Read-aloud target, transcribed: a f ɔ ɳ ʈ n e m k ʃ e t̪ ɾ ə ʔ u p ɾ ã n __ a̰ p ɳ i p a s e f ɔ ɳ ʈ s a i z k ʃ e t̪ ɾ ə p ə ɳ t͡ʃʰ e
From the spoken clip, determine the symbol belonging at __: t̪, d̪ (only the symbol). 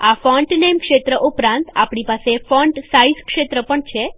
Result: t̪